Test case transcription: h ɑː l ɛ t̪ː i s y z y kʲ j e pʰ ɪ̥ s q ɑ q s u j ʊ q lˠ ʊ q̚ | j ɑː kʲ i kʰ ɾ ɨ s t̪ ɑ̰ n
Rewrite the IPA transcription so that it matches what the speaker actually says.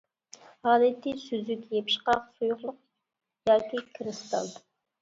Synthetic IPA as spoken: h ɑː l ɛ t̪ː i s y z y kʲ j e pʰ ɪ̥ ʃ q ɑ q s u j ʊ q lˠ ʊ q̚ | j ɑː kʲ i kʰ ɾ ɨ s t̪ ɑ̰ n